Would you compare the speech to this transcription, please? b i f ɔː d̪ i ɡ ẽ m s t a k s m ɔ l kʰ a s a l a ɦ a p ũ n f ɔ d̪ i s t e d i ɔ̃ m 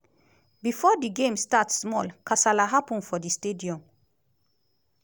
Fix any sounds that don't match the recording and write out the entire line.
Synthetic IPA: b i f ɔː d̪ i ɡ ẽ m s t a t s m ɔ l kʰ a s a l a ɦ a p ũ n f ɔ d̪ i s t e d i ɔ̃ m